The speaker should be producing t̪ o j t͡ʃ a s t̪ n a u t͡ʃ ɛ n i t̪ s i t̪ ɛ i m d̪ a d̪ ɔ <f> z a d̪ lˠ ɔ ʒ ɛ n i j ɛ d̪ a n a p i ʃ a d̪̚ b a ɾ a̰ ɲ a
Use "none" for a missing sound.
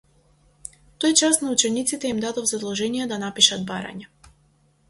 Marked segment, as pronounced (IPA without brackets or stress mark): v